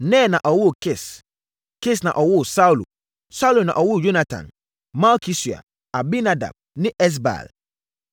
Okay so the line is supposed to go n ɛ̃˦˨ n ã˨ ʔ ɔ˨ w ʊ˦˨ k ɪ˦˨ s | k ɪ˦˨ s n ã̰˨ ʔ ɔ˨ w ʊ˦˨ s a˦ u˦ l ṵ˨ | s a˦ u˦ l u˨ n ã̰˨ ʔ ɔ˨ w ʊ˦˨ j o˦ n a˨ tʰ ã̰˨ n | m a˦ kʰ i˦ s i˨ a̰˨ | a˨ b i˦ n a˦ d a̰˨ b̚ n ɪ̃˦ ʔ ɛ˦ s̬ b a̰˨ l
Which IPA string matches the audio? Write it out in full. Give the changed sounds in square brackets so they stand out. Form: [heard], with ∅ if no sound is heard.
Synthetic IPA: n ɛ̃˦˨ n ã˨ ʔ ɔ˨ w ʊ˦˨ k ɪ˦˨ s | k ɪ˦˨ s n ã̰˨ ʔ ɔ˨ w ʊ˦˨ s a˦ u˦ l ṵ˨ | s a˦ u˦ l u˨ n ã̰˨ ʔ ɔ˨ w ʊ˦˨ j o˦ n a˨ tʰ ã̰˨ n | m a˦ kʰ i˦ s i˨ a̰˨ | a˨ b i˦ n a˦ d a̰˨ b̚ n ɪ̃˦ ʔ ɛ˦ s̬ b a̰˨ l